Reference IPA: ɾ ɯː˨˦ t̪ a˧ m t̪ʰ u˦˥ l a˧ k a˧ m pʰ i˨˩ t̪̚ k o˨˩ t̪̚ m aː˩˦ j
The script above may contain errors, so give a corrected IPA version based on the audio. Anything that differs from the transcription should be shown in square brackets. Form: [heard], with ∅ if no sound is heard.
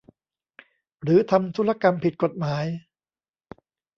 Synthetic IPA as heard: ɾ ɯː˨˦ [t̪ʰ] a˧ m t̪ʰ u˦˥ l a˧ k a˧ m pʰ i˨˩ t̪̚ k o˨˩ t̪̚ m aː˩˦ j